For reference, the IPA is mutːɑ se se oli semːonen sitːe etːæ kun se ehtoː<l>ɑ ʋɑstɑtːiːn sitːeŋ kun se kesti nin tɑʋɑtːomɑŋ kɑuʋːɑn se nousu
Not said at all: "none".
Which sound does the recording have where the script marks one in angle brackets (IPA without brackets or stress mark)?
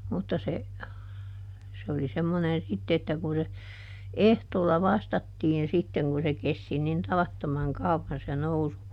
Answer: lː